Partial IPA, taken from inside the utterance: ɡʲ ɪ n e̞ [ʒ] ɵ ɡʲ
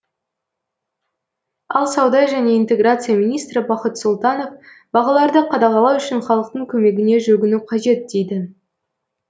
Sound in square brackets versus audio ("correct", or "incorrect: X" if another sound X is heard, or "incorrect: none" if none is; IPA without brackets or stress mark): correct